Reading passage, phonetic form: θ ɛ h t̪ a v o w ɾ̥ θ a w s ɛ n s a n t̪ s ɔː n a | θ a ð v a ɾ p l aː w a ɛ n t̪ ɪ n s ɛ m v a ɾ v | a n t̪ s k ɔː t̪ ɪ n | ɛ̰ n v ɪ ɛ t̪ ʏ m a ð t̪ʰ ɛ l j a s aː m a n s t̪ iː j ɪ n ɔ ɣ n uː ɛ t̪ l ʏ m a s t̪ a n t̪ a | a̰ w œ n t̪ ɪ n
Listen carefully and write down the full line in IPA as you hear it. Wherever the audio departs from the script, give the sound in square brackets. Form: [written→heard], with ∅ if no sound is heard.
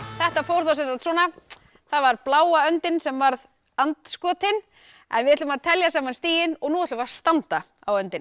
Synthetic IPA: θ ɛ h t̪ a [v→f] o w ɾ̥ θ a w s ɛ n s a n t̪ s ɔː n a | θ a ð v a ɾ p l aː w a [ɛ→œ] n t̪ ɪ n s ɛ m v a ɾ [v→ð] | a n t̪ s k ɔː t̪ ɪ n | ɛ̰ n v ɪ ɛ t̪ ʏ m a ð t̪ʰ ɛ l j a s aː m a n s t̪ iː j ɪ n ɔ ɣ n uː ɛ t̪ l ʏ m a s t̪ a n t̪ a | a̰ w œ n t̪ ɪ n